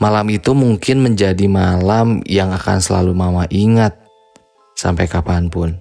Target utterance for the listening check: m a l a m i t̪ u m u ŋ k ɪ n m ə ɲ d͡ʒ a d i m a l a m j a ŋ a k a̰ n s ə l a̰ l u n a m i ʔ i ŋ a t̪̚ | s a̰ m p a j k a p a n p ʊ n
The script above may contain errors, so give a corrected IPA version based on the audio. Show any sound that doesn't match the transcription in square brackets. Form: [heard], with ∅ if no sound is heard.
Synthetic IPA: m a l a m i t̪ u m u ŋ k ɪ n m ə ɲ d͡ʒ a d i m a l a m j a ŋ a k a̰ n s ə l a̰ l u [m] a m [a] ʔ i ŋ a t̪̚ | s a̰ m p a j k a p a n p ʊ n